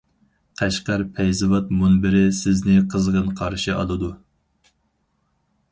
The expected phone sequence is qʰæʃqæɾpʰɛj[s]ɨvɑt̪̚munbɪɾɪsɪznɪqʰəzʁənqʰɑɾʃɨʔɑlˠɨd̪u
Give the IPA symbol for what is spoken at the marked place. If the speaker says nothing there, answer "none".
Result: z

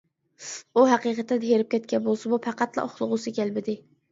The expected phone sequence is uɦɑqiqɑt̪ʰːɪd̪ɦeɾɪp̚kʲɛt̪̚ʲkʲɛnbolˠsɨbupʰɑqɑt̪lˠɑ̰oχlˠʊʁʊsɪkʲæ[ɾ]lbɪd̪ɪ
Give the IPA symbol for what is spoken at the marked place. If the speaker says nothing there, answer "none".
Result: none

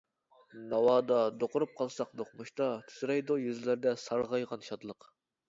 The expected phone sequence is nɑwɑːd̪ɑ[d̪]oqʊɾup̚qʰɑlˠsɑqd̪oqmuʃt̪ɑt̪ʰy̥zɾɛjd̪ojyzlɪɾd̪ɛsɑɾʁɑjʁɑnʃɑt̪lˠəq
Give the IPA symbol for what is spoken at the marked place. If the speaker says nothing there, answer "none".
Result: d̪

